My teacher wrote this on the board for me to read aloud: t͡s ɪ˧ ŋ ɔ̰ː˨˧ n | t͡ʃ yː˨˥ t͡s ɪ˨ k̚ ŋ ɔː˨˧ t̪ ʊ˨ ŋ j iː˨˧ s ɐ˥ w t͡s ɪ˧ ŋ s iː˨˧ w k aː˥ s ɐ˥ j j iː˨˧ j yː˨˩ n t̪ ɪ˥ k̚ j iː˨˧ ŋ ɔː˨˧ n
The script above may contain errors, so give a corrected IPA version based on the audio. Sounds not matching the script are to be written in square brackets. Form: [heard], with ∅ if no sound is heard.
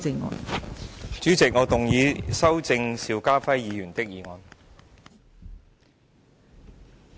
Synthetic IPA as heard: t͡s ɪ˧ ŋ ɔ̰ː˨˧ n | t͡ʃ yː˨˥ t͡s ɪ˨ k̚ ŋ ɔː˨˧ t̪ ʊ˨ ŋ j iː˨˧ s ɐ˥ w t͡s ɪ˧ ŋ s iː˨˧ w k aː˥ [f] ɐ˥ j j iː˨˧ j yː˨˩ n t̪ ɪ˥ k̚ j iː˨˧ ŋ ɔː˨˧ n